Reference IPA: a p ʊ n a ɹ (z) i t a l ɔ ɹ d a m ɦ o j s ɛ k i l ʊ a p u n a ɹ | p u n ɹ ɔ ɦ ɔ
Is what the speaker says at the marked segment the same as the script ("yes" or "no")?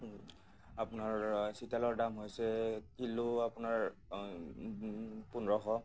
no